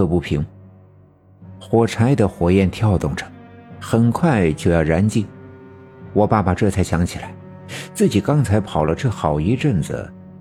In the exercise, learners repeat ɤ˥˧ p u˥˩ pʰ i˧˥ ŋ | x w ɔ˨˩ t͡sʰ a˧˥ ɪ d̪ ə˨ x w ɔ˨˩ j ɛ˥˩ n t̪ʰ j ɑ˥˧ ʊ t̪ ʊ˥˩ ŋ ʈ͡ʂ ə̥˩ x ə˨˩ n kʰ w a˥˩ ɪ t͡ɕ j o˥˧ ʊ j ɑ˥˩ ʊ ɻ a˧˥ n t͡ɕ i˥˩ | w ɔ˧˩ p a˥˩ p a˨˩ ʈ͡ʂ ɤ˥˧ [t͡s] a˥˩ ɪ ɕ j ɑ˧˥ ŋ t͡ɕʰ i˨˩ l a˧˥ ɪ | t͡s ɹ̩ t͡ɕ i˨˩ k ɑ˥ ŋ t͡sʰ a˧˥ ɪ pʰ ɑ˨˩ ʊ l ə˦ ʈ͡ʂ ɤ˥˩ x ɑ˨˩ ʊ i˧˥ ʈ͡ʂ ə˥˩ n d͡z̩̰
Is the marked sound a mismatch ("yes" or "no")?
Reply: yes